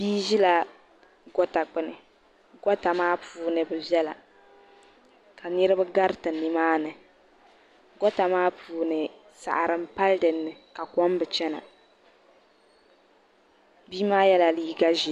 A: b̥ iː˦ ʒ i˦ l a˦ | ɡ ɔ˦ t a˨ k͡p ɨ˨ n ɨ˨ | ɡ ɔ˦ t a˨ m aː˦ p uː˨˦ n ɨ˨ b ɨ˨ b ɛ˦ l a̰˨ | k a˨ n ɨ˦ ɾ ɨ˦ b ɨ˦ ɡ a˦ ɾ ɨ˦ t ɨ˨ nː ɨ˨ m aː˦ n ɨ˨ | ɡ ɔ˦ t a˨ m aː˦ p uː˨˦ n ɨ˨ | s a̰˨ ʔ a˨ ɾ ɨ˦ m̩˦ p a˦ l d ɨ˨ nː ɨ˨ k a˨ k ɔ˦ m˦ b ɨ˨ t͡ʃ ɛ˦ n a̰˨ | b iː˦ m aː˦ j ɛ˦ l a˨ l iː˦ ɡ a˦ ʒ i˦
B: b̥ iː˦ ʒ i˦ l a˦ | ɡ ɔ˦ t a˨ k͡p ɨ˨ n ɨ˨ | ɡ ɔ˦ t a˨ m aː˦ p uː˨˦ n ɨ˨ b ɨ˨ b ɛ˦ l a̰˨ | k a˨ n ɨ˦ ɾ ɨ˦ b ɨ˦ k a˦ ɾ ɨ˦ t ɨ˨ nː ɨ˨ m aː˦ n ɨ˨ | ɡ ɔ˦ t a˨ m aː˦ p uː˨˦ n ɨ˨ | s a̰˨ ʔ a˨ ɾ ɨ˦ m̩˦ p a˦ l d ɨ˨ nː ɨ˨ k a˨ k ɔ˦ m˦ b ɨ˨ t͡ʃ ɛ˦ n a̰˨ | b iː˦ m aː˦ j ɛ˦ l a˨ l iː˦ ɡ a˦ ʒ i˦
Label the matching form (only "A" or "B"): A